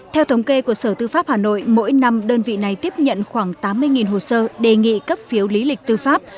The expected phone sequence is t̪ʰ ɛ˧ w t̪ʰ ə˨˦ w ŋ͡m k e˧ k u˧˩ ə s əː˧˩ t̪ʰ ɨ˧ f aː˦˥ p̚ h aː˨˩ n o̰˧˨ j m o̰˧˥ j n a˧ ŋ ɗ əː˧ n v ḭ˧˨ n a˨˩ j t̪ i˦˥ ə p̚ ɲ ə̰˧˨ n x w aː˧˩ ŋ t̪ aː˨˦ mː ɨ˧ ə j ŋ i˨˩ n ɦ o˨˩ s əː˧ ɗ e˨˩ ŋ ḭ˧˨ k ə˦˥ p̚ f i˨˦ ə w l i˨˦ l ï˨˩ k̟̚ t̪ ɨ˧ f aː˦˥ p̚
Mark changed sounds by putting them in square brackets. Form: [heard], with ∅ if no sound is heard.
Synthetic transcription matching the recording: t̪ʰ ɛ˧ w t̪ʰ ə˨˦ w ŋ͡m k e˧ k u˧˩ ə s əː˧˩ [t̪] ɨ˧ f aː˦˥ p̚ h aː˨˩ n o̰˧˨ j m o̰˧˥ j n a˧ [m] ɗ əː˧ n v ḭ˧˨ n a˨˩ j t̪ i˦˥ ə p̚ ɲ ə̰˧˨ n x w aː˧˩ ŋ t̪ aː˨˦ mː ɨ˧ ə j ŋ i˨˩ n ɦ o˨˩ s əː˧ ɗ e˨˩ ŋ ḭ˧˨ k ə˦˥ p̚ f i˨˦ ə w l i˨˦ l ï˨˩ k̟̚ t̪ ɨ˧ f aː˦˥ p̚

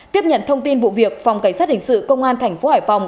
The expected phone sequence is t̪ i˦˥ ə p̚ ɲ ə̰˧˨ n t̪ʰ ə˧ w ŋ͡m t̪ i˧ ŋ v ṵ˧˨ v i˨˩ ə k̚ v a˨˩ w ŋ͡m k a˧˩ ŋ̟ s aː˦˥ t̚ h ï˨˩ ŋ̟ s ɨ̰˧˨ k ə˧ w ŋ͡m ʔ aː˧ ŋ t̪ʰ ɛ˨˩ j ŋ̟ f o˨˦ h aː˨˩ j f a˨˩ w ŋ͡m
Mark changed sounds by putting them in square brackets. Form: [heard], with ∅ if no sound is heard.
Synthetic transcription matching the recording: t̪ i˦˥ ə p̚ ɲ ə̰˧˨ n t̪ʰ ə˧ w ŋ͡m t̪ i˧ [n] v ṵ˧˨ v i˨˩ ə k̚ [f] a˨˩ w ŋ͡m k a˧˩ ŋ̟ s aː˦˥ t̚ h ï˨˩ ŋ̟ s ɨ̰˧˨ k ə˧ w ŋ͡m ʔ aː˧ [n] t̪ʰ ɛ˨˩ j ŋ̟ f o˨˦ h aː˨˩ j f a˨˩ w ŋ͡m

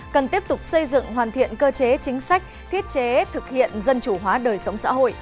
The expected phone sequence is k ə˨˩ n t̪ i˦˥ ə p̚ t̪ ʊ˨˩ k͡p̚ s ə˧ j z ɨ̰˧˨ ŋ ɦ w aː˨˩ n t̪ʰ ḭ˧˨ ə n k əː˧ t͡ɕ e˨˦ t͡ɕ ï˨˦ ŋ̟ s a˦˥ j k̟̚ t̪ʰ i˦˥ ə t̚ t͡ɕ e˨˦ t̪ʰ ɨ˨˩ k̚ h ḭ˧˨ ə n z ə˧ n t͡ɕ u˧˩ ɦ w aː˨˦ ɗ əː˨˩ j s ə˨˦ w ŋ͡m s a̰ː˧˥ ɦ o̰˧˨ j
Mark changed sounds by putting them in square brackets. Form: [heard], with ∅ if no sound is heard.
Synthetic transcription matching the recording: k ə˨˩ n t̪ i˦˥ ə p̚ t̪ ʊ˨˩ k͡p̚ s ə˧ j z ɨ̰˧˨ ŋ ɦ w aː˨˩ n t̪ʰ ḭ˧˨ ə n k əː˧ t͡ɕ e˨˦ t͡ɕ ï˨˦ ŋ̟ s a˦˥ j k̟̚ t̪ʰ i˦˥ ə t̚ t͡ɕ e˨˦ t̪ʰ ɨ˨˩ k̚ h ḭ˧˨ ə n z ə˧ n t͡ɕ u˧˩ ɦ w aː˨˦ ɗ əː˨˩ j s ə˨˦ w ŋ͡m s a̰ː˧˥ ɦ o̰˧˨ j

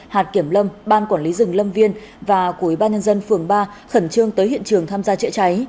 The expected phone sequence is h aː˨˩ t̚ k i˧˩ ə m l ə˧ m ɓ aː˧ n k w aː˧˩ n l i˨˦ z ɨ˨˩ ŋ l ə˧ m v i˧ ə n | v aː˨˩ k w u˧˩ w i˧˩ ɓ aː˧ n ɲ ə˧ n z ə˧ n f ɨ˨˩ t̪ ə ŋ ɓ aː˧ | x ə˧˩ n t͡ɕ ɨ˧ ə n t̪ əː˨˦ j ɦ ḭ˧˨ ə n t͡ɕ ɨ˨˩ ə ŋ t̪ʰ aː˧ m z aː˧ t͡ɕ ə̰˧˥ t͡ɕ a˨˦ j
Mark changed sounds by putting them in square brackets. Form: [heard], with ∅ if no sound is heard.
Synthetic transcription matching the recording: h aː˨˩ t̚ k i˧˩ ə m l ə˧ m ɓ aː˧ n k w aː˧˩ n l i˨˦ z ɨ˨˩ ŋ l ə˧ m v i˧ ə n | v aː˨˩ k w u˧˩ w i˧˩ ɓ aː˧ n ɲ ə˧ n z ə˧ n f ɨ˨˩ [∅] ə ŋ ɓ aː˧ | x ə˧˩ n t͡ɕ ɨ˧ ə [ŋ] t̪ əː˨˦ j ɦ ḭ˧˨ ə n t͡ɕ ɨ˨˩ ə ŋ t̪ʰ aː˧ m z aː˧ t͡ɕ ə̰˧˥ t͡ɕ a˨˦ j

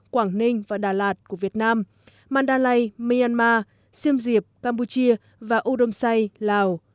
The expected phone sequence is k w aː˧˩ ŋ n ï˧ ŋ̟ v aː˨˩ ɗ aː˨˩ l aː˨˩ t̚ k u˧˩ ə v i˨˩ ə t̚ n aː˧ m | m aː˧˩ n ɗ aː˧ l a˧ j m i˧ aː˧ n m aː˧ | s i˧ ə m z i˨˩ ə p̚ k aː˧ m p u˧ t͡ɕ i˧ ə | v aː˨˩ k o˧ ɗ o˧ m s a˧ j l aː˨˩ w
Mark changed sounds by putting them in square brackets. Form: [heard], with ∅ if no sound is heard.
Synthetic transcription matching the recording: k w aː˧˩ ŋ n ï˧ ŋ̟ v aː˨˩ ɗ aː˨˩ l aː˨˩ t̚ k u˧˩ ə v i˨˩ ə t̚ n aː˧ m | m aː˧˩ n ɗ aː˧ l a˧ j m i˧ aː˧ n m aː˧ | s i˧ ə m z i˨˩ ə p̚ k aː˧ m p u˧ t͡ɕ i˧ ə | v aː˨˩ [ʔ] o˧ ɗ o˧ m s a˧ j l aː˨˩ w

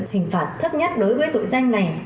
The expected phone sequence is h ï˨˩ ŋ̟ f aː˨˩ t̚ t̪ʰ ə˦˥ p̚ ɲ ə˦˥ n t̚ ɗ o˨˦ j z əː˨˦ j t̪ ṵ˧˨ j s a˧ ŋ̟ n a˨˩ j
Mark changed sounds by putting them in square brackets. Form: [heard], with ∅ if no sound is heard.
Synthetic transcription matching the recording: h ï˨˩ ŋ̟ f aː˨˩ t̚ t̪ʰ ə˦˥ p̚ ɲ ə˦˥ [∅] t̚ ɗ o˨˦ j [v] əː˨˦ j t̪ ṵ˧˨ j [z] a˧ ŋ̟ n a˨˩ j

